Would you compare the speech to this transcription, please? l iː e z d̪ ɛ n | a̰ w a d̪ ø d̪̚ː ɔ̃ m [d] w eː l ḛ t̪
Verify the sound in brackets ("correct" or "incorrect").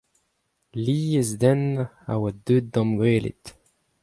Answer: incorrect